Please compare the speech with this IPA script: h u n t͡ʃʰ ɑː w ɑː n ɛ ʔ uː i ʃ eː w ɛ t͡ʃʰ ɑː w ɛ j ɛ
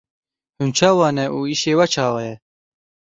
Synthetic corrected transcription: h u n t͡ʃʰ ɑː w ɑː n ɛ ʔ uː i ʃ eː w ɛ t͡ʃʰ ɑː w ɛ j ɛ